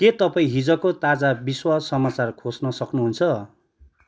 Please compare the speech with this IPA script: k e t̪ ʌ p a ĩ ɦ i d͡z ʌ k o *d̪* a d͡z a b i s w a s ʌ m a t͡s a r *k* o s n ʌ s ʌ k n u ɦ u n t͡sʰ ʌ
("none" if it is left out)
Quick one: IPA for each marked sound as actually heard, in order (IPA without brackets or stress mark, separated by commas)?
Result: t̪, kʰ